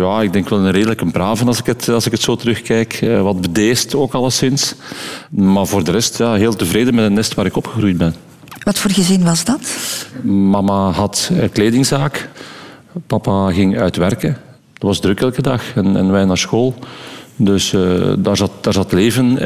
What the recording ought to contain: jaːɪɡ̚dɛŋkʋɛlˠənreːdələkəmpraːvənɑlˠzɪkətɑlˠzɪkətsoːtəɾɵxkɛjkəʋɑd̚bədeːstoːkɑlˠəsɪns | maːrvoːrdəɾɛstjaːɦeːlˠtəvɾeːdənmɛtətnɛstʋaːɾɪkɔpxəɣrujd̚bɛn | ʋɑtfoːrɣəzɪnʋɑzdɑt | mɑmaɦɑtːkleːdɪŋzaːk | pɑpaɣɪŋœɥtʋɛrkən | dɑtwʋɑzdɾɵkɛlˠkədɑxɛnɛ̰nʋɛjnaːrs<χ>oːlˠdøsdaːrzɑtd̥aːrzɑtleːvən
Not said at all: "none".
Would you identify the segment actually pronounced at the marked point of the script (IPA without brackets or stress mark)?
x